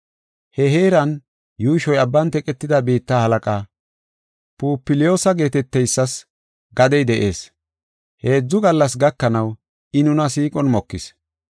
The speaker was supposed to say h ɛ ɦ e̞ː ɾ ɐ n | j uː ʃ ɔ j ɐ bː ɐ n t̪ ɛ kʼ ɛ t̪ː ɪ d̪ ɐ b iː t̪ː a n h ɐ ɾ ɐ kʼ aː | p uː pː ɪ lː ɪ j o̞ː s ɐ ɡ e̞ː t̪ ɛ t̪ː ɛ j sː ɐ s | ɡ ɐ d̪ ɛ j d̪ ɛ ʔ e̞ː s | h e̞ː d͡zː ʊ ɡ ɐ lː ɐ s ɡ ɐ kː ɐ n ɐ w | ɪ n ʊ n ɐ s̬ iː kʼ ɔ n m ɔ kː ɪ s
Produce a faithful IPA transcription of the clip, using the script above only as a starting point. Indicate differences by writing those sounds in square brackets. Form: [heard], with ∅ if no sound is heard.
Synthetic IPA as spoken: h ɛ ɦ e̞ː ɾ ɐ n | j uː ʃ ɔ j ɐ bː ɐ n t̪ ɛ kʼ ɛ t̪ː ɪ d̪ ɐ b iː t̪ː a [∅] h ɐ [l] ɐ kʼ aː | p uː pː ɪ [l] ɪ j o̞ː s ɐ ɡ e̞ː t̪ ɛ t̪ː ɛ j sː ɐ s | ɡ ɐ d̪ ɛ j d̪ ɛ ʔ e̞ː s | h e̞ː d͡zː ʊ ɡ ɐ lː ɐ s ɡ ɐ kː ɐ n ɐ w | ɪ n ʊ n ɐ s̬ iː kʼ ɔ n m ɔ kː ɪ s